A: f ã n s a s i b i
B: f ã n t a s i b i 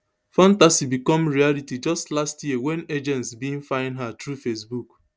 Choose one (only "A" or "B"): B